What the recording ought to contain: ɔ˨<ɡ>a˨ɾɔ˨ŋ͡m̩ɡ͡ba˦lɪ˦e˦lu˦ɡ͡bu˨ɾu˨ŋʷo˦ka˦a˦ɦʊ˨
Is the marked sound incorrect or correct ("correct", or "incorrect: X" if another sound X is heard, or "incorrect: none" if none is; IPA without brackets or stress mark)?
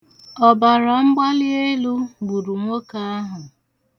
incorrect: b